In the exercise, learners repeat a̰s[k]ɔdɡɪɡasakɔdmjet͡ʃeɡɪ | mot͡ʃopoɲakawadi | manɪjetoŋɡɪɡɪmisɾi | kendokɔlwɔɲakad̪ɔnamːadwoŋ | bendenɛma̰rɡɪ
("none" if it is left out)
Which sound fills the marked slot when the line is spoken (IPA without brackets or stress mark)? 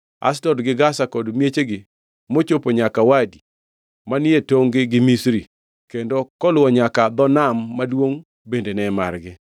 t